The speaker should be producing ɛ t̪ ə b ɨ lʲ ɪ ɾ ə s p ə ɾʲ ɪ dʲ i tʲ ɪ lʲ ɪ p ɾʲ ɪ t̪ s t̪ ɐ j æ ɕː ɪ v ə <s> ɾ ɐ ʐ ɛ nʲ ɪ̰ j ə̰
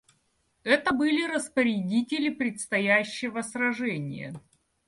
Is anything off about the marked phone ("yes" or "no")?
no